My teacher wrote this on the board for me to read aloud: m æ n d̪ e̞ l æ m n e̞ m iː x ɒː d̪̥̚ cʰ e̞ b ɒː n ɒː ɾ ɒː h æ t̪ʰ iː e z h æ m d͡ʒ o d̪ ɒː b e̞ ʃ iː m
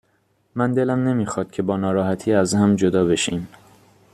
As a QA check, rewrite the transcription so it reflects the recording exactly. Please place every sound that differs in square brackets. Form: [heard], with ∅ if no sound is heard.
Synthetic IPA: m æ n d̪ e̞ l æ m n e̞ m iː x ɒː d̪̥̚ cʰ e̞ b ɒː n ɒː ɾ ɒː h æ t̪ʰ iː [æ] z h æ m d͡ʒ o d̪ ɒː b e̞ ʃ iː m